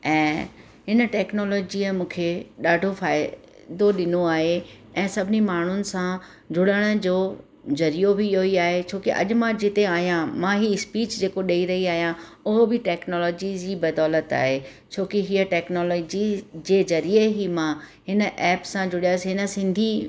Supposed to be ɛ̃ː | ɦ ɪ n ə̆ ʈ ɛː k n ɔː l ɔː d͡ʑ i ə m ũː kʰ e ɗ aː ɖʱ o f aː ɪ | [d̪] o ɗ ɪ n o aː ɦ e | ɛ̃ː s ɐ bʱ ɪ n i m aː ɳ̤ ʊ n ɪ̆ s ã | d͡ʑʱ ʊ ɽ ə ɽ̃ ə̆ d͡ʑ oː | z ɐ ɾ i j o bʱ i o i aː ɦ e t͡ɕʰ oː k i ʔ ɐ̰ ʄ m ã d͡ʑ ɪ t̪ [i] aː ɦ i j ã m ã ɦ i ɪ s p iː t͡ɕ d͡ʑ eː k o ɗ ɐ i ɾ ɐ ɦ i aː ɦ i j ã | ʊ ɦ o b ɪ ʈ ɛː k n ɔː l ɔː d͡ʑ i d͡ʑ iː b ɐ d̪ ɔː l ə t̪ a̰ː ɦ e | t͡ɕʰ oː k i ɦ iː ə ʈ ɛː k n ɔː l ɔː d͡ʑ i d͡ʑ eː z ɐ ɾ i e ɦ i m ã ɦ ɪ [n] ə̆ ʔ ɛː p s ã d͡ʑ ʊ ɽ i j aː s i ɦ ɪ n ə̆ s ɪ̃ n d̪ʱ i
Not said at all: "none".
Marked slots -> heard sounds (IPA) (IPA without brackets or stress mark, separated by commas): d̪, e, n